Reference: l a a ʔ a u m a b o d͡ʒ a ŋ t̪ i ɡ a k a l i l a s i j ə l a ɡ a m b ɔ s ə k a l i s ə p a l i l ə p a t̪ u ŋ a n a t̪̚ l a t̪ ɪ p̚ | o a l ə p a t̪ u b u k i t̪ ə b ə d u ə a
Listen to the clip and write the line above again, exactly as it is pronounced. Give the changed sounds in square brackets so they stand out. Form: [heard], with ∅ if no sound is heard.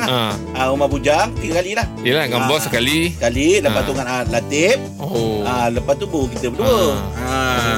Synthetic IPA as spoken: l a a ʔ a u m a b [u] d͡ʒ a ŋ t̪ i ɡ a k a l i l a [h] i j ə l a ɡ a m b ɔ s ə k a l i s ə [k] a l i l ə p a t̪ u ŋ a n a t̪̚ l a t̪ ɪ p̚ | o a l ə p a t̪ u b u k i t̪ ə b ə d u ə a